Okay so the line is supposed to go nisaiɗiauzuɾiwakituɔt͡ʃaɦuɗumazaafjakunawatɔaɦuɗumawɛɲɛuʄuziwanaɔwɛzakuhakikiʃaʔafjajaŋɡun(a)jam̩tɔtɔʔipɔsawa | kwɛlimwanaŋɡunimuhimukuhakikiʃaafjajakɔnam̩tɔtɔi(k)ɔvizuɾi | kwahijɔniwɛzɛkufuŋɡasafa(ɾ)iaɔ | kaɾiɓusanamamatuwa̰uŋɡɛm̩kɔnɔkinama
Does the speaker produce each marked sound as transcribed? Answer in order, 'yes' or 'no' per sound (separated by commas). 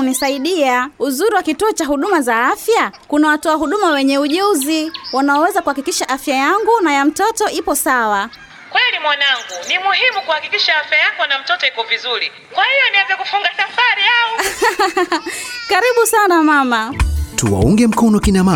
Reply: yes, yes, yes